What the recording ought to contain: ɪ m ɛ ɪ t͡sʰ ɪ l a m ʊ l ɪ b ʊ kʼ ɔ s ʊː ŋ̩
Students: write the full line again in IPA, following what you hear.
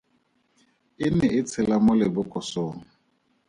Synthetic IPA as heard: ɪ n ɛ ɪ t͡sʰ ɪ l a m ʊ l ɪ b ʊ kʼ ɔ s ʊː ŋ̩

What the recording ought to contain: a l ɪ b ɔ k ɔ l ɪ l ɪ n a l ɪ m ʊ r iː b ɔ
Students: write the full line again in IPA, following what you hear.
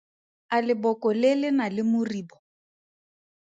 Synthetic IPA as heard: a l ɪ b ɔ k ɔ l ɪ l ɪ n a l ɪ m ʊ r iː b ɔ

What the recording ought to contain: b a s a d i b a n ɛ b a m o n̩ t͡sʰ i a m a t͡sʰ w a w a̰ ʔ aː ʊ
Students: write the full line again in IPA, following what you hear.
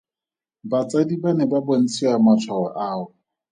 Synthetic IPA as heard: b a t͡s a d i b a n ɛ b a b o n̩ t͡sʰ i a m a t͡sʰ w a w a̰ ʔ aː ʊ

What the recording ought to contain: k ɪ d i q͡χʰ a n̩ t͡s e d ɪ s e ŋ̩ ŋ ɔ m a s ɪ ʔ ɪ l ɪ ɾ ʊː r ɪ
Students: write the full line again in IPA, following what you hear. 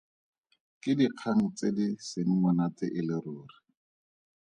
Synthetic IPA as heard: k ɪ d i q͡χʰ a ŋ̩ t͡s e d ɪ s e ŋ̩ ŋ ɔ n a t͡s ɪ ʔ ɪ l ɪ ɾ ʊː r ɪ

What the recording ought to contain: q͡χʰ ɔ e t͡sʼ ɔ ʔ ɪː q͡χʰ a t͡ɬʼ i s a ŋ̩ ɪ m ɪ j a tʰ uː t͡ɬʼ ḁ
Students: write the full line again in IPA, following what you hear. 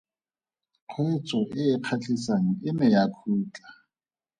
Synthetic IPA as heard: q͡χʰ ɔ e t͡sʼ ɔ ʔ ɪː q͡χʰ a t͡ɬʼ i s a ŋ̩ ɪ m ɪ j a kʰ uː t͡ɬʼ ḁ

